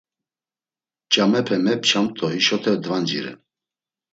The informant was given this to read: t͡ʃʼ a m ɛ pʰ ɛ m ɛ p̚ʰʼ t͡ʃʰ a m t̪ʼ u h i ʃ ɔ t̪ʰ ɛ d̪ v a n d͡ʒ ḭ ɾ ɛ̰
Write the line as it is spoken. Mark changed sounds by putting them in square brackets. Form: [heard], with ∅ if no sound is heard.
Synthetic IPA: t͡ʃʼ a m ɛ pʰ ɛ m ɛ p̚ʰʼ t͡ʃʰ a m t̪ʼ [ɔ] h i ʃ ɔ t̪ʰ ɛ d̪ v a n d͡ʒ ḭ ɾ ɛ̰